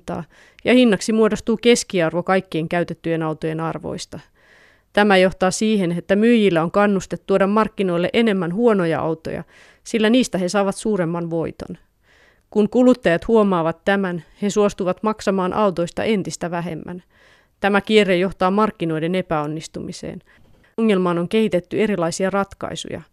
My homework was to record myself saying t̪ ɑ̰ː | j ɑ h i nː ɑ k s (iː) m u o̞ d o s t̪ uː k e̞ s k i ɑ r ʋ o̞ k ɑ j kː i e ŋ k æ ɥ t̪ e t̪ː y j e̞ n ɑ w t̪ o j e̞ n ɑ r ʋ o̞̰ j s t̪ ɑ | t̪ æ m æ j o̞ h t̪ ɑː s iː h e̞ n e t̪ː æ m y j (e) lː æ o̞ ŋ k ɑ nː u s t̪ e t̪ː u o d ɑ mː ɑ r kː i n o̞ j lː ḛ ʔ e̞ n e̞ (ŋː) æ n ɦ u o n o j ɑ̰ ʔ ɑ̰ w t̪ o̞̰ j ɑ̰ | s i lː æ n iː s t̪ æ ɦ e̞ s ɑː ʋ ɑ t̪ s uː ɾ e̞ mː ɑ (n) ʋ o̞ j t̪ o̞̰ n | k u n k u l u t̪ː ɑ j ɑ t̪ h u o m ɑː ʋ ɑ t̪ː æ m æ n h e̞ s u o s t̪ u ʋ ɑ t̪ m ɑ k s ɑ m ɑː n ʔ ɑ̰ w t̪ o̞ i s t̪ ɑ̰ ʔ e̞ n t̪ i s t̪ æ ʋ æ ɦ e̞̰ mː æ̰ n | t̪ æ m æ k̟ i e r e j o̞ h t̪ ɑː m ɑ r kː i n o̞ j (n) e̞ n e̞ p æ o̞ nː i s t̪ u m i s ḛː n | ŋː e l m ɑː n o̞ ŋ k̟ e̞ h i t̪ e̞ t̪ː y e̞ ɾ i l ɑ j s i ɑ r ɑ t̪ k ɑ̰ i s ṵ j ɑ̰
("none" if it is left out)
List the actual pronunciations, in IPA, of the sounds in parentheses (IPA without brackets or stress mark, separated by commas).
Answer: i, i, mː, n, d